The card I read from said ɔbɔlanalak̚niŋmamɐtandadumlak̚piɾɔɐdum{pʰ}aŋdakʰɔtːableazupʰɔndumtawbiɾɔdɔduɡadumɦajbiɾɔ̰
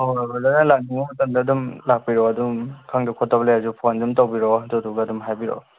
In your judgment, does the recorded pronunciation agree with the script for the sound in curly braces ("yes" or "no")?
no